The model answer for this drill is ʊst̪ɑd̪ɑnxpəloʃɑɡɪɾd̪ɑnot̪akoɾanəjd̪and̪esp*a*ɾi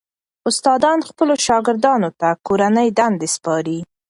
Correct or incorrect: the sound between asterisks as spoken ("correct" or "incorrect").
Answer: incorrect